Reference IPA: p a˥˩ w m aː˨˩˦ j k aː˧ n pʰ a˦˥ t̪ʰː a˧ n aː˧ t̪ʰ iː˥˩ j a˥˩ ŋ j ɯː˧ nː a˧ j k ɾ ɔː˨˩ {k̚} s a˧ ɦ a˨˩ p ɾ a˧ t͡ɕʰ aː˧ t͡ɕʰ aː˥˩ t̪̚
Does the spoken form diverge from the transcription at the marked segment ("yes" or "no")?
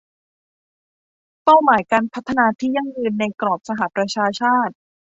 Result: yes